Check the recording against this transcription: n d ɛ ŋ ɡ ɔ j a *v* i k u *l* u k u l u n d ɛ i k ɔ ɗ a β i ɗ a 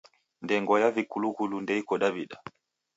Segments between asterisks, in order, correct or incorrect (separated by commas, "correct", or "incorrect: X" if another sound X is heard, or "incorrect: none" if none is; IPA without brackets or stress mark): correct, correct